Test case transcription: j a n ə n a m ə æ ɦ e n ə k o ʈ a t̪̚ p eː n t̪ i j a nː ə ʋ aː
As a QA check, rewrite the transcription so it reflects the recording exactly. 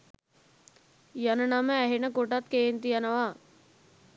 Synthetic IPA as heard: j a n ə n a m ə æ ɦ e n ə k o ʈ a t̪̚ k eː n t̪ i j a n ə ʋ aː